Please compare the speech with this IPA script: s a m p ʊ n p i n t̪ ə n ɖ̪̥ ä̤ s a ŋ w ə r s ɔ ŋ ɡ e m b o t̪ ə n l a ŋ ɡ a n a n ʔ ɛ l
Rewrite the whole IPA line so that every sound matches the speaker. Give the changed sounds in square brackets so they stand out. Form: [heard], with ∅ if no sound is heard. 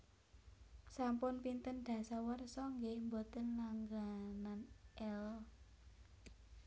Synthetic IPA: s a m p ʊ n p i n t̪ ə n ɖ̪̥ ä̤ s a [∅] w ə r s ɔ ŋ ɡ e m b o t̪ ə n l a ŋ ɡ a n a n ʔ ɛ l